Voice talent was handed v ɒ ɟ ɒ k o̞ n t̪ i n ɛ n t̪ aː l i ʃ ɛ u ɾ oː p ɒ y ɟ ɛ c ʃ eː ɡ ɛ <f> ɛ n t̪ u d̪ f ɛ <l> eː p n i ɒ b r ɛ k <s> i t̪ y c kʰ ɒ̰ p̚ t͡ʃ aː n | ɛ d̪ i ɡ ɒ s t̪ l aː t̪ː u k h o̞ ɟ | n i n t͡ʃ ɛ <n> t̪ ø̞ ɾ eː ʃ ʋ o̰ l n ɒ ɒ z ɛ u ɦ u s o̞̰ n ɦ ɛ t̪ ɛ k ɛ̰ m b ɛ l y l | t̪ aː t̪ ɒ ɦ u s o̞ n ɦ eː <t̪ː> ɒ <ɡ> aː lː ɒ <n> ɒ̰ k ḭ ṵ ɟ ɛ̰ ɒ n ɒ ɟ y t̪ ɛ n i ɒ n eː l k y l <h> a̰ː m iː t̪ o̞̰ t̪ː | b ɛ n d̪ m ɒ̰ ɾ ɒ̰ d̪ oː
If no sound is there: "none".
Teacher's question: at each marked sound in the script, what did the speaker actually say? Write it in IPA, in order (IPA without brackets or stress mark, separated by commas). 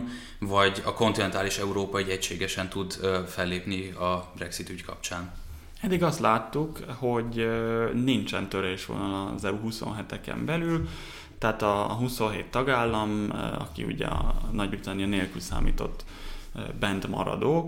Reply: ʃ, lː, s, n, t̪ː, ɡ, m, s